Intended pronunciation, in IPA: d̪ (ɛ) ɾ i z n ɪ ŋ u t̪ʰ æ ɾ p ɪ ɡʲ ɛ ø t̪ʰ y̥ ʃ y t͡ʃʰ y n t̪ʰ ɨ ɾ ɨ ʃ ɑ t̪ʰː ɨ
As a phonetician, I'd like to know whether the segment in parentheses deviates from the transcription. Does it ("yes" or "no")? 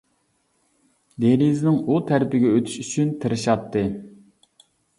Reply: yes